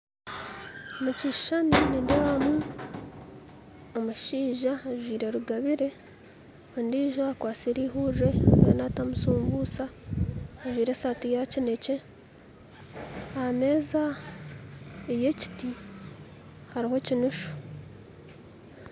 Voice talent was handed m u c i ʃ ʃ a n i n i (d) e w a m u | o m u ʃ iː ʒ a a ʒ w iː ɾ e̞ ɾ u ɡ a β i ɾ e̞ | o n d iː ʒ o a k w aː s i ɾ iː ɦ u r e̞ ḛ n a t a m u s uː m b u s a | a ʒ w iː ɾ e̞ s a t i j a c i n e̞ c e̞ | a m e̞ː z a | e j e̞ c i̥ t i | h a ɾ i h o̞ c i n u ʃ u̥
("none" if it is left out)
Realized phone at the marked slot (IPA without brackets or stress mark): d